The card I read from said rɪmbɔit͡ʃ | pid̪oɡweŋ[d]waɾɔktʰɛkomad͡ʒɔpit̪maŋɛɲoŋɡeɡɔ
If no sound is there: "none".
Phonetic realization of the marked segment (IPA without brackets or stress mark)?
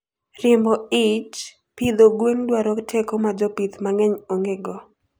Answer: d